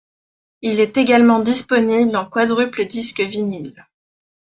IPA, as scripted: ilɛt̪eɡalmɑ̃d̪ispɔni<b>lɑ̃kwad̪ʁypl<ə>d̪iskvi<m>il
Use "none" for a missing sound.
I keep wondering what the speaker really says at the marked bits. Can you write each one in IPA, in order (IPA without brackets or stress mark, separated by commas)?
b, ə, n